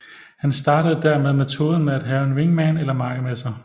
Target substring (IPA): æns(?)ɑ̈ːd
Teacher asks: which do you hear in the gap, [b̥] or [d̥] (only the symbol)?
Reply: d̥